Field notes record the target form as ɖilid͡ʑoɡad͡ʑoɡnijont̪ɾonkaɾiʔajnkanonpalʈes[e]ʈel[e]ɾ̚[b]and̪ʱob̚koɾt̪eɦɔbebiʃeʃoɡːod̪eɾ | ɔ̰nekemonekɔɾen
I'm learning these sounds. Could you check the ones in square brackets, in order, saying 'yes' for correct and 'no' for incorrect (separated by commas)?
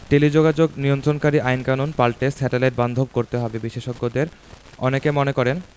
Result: no, yes, yes